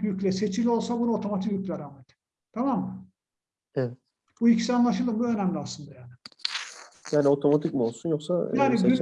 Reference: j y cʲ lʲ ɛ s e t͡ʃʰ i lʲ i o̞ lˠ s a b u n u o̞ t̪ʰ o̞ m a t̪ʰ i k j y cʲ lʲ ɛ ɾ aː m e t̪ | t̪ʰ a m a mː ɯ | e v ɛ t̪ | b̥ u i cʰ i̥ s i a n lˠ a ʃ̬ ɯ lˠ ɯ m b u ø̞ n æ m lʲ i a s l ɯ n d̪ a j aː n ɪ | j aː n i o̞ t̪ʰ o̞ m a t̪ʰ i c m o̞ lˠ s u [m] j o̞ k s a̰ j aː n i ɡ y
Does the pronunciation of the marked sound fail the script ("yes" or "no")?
yes